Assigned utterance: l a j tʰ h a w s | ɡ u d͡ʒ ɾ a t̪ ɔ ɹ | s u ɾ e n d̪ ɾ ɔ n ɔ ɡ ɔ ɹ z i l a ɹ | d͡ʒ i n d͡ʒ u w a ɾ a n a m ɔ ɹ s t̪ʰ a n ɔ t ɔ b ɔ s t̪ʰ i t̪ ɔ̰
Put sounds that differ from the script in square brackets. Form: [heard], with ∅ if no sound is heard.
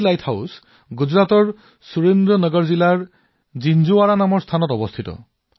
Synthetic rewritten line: l a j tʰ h a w s | ɡ u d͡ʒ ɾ a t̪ ɔ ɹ | s u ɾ e n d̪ ɾ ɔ n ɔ ɡ ɔ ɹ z i l a ɹ | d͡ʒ i n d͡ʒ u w a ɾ a n a m ɔ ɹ s t̪ʰ a n ɔ t ɔ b ɔ s t̪ʰ i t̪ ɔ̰